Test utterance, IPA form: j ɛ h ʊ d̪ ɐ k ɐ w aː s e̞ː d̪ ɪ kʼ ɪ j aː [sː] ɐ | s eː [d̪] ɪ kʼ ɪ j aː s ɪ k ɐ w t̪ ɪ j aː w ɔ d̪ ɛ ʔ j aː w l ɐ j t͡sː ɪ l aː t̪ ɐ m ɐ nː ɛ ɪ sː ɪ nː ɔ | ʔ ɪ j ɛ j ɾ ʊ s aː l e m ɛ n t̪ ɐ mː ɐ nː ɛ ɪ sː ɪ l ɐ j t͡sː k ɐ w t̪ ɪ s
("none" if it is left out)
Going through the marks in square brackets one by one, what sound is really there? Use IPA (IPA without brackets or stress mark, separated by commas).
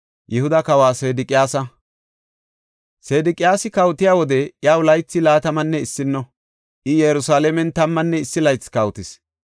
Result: s, d̪